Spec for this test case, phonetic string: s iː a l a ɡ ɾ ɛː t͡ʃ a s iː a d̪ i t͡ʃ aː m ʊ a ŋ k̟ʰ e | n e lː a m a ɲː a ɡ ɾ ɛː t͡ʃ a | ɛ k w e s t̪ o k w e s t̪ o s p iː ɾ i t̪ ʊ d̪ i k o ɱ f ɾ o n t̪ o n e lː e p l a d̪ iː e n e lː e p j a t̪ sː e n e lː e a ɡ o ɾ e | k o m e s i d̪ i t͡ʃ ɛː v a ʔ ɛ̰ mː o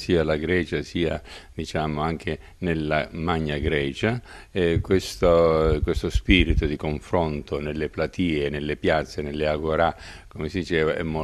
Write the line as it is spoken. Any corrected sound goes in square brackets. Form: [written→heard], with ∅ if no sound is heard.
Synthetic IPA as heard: s iː a l a ɡ ɾ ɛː t͡ʃ a s iː a d̪ i t͡ʃ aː m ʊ a ŋ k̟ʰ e | n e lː a m a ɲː a ɡ ɾ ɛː t͡ʃ a | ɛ k w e s t̪ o k w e s t̪ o s p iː ɾ i t̪ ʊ d̪ i k o ɱ f ɾ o n t̪ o n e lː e p l a [d̪→t̪] iː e n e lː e p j a t̪ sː e n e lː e a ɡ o ɾ [e→a] | k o m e s i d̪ i t͡ʃ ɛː v a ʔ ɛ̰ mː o